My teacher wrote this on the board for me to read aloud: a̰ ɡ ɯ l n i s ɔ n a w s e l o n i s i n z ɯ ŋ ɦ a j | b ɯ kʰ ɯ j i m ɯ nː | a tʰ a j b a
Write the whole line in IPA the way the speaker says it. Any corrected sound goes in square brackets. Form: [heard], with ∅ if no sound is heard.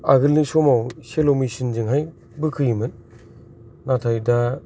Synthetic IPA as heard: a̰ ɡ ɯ l n i s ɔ [m] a w s e l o [m] i s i n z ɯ ŋ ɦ a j | b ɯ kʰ ɯ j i m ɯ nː | a tʰ a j [d] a